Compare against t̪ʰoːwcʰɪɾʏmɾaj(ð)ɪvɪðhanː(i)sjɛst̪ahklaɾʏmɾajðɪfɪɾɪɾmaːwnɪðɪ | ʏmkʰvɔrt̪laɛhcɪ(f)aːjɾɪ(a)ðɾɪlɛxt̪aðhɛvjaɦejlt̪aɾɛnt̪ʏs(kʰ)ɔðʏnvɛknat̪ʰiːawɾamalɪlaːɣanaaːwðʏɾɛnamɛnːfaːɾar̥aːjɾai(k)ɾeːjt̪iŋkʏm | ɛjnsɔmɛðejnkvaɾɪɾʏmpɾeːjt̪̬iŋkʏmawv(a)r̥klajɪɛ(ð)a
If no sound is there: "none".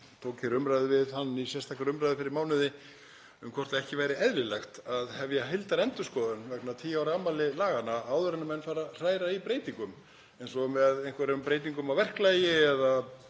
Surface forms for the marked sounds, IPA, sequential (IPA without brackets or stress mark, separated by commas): ð, i, v, ɛ, k, p, ɛ, ð